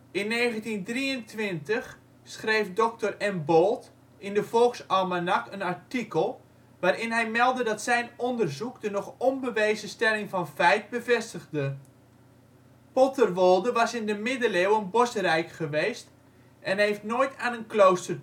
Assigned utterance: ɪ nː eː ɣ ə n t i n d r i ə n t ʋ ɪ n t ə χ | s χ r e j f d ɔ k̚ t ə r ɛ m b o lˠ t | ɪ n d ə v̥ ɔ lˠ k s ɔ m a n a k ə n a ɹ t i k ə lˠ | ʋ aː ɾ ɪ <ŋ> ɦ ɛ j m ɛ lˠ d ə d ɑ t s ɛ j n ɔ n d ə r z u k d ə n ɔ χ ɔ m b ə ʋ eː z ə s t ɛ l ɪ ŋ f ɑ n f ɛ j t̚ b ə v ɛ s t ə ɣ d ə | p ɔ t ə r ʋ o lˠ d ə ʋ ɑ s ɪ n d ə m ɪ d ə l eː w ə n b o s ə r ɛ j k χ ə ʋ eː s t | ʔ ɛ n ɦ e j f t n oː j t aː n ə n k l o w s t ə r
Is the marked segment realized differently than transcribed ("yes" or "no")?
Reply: yes